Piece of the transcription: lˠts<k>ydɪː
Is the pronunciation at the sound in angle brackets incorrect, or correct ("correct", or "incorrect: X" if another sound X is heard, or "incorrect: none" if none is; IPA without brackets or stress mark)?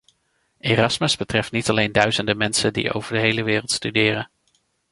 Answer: incorrect: t